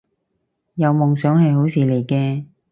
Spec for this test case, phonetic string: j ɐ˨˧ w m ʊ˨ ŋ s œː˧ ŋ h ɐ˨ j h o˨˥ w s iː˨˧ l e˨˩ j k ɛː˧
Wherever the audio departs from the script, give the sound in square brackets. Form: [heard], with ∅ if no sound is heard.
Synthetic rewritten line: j ɐ˨˧ w m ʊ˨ ŋ s [œː˨˥] ŋ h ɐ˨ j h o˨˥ w s iː˨˧ l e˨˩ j k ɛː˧